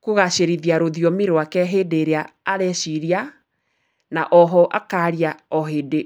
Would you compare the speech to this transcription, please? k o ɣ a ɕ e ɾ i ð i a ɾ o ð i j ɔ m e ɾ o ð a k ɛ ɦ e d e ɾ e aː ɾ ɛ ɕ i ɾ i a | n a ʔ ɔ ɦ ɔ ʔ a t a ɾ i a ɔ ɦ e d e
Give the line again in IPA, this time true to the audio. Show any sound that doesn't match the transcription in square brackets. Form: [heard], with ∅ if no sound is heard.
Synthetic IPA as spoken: k o ɣ a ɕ e ɾ i ð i a ɾ o ð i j ɔ m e ɾ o [∅] a k ɛ ɦ e d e ɾ e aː ɾ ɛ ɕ i ɾ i a | n a ʔ ɔ ɦ ɔ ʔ a [k] a ɾ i a ɔ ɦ e d e